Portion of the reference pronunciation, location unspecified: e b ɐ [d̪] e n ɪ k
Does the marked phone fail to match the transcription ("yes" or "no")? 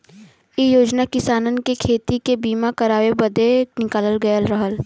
no